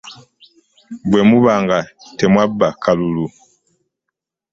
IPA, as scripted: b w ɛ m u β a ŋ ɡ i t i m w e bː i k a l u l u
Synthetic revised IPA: b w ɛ m u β a ŋ ɡ a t ɛ m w a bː a k a l u l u